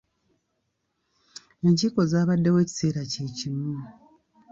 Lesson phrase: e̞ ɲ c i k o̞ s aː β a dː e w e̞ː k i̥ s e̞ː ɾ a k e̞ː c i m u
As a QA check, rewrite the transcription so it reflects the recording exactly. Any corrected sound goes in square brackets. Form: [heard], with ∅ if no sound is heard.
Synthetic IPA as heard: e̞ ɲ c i k o̞ [z] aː β a dː e w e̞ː [c] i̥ s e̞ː ɾ a [c] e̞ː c i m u